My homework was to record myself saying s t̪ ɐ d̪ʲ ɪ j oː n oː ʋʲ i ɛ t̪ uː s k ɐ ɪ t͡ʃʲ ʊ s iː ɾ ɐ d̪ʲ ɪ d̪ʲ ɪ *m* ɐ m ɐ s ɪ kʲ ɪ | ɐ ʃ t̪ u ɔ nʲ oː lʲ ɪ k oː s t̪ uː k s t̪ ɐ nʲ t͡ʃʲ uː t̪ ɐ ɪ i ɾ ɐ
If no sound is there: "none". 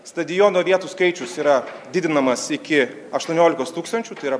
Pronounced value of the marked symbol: n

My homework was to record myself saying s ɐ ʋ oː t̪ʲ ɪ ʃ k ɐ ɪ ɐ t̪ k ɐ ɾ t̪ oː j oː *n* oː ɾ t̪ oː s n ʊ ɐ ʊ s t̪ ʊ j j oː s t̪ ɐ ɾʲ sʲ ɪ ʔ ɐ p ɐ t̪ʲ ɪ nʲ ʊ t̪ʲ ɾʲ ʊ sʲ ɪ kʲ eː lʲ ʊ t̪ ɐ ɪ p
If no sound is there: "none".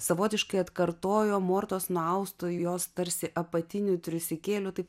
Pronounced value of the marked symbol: m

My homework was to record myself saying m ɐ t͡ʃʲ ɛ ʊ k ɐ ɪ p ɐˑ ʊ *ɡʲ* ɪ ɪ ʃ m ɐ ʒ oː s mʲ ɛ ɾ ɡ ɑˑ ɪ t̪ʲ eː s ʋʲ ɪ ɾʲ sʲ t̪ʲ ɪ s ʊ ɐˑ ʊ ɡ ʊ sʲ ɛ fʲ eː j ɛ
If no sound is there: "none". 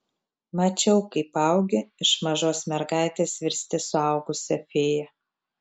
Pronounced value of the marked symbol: ɡʲ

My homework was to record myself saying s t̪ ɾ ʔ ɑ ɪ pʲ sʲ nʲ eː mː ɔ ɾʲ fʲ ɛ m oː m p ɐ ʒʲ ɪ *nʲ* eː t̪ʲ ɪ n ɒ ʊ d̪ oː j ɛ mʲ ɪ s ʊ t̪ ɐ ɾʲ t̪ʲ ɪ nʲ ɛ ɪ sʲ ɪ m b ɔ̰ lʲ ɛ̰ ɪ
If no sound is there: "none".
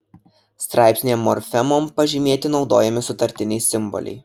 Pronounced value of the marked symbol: mʲ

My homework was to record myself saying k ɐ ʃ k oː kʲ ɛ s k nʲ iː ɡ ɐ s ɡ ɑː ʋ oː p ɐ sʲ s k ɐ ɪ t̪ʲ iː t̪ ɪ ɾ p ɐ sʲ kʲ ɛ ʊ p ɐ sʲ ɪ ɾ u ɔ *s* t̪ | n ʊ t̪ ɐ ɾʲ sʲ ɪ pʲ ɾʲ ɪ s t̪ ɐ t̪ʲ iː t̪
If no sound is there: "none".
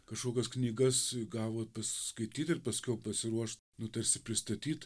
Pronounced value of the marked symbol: ʃ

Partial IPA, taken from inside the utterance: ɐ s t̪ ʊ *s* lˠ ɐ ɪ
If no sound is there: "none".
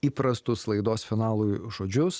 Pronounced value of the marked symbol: s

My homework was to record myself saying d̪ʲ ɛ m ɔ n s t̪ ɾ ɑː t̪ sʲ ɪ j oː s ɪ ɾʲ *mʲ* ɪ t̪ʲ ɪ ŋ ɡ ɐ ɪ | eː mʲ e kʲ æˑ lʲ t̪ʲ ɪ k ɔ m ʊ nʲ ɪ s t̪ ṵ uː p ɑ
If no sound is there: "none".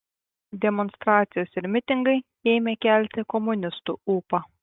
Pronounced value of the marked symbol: mʲ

